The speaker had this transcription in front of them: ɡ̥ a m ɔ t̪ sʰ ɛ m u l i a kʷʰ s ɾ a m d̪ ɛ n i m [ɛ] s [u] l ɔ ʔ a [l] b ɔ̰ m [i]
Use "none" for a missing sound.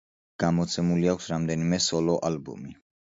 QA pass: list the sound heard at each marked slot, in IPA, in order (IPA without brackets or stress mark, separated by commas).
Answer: ɛ, ɔ, l, i